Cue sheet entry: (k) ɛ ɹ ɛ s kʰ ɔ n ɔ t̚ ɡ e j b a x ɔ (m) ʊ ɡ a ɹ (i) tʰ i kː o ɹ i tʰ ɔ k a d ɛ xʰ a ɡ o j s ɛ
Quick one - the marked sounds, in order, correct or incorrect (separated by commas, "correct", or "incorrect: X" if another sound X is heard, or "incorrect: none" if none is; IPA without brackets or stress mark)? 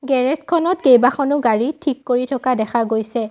incorrect: ɡ, incorrect: n, correct